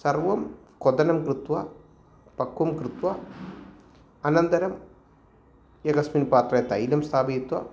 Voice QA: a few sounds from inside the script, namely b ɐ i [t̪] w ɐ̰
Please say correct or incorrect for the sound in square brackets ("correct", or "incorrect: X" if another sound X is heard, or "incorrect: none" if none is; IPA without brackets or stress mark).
correct